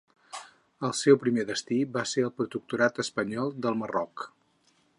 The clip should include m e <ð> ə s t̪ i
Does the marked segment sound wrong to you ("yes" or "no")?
no